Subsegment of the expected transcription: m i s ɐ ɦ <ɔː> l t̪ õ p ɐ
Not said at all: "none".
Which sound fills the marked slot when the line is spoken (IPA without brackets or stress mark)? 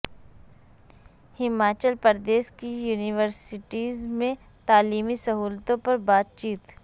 uː